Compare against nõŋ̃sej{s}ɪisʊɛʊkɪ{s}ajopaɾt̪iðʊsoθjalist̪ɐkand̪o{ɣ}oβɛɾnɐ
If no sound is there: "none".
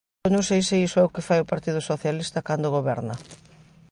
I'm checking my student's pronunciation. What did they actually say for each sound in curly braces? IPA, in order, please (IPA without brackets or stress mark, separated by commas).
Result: s, f, ɣ